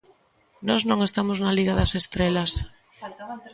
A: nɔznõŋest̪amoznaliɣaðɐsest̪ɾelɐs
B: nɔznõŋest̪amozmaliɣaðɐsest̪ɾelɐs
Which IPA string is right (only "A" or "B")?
A